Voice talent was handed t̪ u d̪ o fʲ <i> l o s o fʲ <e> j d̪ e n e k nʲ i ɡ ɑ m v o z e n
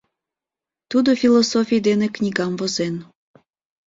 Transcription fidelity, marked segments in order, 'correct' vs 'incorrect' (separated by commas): correct, incorrect